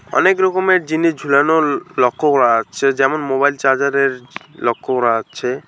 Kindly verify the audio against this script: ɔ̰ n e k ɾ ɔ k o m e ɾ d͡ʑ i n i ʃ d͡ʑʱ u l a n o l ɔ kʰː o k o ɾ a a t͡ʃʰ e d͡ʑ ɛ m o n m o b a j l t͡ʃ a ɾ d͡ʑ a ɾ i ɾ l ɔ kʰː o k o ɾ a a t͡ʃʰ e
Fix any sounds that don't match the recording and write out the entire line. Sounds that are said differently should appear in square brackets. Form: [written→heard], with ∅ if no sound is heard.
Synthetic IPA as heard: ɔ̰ n e k ɾ ɔ k o m e ɾ d͡ʑ i n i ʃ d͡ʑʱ u l a n o l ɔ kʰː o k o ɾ a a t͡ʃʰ e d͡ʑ ɛ m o n m o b a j l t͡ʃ a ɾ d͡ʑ a ɾ [i→e] ɾ l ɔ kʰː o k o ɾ a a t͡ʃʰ e

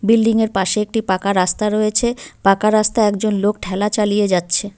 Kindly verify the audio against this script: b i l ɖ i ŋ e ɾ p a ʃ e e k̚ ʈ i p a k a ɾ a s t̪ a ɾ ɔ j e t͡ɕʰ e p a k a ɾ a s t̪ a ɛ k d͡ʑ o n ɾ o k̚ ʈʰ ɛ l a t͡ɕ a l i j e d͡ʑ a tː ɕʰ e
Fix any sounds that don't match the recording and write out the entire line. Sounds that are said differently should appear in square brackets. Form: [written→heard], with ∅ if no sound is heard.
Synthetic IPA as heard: b i l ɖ i ŋ e ɾ p a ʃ e e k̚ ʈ i p a k a ɾ a s t̪ a ɾ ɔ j e t͡ɕʰ e p a k a ɾ a s t̪ a ɛ k d͡ʑ o n [ɾ→l] o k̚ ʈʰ ɛ l a t͡ɕ a l i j e d͡ʑ a tː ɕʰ e

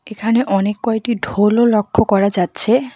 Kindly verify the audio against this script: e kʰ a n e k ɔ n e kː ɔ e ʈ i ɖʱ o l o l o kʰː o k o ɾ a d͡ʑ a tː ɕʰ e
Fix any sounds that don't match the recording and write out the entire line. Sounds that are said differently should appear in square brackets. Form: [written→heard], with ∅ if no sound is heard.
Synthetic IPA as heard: e kʰ a n e [k→ʔ] ɔ n e kː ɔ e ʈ i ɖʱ o l o l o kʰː o k [o→ɔ] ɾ a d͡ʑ a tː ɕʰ e

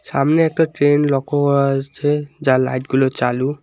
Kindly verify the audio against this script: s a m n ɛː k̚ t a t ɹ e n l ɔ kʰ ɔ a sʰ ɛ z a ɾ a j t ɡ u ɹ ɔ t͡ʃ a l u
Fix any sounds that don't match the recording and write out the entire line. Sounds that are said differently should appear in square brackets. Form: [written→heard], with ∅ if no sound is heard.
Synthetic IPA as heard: s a m n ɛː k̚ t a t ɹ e n l ɔ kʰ ɔ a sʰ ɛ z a [ɾ→l] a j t ɡ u [ɹ→l] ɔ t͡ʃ a l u

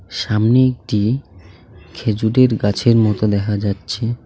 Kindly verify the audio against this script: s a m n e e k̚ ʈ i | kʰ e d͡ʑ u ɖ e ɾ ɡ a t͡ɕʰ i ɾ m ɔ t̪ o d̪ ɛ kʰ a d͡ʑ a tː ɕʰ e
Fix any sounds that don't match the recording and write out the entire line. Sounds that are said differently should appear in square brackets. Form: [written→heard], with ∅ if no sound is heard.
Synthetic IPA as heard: [s→ʃ] a m n e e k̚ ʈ i | kʰ e d͡ʑ u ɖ e ɾ ɡ a t͡ɕʰ [i→e] ɾ m ɔ t̪ o d̪ ɛ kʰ a d͡ʑ a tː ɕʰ e

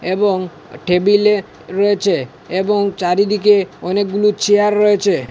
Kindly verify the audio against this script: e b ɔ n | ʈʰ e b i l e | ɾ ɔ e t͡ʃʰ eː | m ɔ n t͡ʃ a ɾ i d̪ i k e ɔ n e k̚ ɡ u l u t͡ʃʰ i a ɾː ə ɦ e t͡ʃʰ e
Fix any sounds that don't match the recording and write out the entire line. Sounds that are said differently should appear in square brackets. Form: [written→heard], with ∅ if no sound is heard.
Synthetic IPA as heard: e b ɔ [n→ŋ] | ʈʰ e b i l e | ɾ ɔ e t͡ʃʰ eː | [m→b] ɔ [n→ŋ] t͡ʃ a ɾ i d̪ i k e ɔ n e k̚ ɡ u l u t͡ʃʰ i a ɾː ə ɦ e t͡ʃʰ e

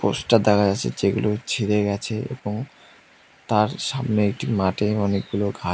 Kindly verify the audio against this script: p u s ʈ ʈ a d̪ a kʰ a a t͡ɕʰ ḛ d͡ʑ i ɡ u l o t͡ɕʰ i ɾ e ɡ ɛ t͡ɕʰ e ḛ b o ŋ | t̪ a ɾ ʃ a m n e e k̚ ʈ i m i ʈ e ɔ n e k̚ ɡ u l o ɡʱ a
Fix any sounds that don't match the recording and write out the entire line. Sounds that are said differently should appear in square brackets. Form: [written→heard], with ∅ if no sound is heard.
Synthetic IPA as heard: p [u→o] s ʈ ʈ a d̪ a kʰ a a t͡ɕʰ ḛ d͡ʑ [i→e] ɡ u l o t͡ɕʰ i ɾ e ɡ ɛ t͡ɕʰ e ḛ b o ŋ | t̪ a ɾ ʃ a m n e e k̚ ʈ i m [i→a] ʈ e ɔ n e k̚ ɡ u l o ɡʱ a

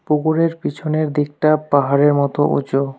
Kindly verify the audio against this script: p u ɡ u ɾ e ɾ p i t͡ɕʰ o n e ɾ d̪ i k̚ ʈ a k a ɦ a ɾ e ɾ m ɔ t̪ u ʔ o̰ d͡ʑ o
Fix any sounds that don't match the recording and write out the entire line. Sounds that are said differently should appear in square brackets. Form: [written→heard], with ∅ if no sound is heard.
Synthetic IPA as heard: p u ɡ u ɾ e ɾ p i t͡ɕʰ o n e ɾ d̪ i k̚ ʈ a [k→p] a ɦ a ɾ e ɾ m ɔ t̪ [u→o] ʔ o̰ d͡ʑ o

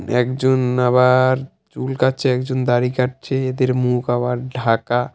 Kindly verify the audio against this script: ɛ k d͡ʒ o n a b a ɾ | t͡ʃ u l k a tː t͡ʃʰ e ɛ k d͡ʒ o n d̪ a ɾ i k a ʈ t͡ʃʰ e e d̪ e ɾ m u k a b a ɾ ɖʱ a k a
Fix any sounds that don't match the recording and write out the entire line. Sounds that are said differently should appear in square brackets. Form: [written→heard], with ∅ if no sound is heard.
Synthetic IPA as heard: ɛ k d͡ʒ o n a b a ɾ | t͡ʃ u l k a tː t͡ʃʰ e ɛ k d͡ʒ o n d̪ a ɾ i k a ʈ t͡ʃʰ e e d̪ e ɾ m u k a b a ɾ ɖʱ a k a

